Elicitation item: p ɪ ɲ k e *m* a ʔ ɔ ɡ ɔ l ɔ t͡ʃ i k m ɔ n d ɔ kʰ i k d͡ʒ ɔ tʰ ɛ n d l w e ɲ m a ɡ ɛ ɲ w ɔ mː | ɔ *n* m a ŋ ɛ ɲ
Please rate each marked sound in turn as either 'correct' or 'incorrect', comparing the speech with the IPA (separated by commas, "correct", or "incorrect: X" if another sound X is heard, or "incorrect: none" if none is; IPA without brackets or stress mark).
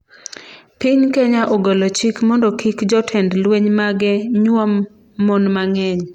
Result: incorrect: ɲ, correct